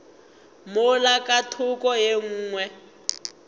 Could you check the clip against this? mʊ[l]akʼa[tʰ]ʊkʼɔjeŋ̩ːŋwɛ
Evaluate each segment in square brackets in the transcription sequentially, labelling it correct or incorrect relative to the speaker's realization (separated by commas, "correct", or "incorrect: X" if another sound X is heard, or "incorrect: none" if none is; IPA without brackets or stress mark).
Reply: correct, correct